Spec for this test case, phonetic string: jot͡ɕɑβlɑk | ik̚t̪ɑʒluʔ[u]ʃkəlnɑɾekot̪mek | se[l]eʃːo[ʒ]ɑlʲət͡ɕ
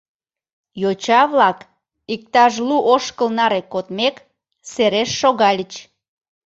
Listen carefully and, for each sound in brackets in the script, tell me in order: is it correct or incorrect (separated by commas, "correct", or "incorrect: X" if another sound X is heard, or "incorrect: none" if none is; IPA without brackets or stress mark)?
incorrect: o, incorrect: ɾ, incorrect: ɣ